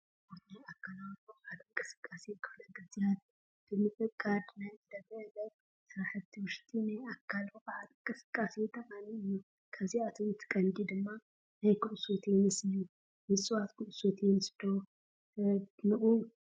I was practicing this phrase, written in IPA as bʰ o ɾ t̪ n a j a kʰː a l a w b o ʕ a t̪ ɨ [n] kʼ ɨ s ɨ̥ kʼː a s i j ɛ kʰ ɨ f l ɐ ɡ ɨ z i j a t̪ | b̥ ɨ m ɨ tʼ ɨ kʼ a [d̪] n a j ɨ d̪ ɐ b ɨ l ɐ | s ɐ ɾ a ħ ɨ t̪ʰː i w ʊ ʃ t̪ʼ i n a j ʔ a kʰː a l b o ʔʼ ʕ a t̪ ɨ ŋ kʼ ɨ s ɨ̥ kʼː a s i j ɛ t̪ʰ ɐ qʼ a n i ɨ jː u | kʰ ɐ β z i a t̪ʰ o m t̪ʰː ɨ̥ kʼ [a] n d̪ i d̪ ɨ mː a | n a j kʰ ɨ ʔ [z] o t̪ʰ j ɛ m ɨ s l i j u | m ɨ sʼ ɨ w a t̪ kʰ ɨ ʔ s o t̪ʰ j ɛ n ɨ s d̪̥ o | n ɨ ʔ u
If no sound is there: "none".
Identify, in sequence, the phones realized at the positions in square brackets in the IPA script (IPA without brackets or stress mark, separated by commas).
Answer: ŋ, d̪, ɐ, s